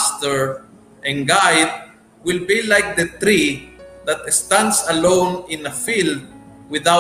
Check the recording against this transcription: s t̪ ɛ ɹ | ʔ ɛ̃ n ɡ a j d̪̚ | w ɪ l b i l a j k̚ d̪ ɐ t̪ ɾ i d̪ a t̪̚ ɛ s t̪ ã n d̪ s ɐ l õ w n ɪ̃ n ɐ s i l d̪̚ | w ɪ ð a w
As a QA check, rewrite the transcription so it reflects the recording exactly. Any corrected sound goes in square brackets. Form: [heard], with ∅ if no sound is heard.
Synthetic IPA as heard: s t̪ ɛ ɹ | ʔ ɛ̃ n ɡ a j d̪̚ | w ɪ l b i l a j k̚ d̪ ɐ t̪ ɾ i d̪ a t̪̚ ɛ s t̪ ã n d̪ s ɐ l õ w n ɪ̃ n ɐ [f] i l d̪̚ | w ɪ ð a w